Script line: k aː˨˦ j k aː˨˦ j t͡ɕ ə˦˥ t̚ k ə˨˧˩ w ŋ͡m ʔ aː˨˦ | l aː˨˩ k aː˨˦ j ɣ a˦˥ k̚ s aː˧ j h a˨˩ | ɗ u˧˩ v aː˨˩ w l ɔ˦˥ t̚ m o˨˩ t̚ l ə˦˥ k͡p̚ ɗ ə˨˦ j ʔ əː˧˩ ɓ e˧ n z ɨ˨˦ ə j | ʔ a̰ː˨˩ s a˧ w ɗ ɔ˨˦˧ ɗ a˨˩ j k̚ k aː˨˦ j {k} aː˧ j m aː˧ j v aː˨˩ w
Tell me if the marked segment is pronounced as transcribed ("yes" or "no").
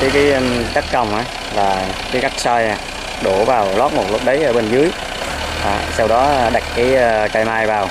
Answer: yes